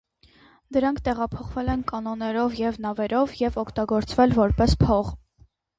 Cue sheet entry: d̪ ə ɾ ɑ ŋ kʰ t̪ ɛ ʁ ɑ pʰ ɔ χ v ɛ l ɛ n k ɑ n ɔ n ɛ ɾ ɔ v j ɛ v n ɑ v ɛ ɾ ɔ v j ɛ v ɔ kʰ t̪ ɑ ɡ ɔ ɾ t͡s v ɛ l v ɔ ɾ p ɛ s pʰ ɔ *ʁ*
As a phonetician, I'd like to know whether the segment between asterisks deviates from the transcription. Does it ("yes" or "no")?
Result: no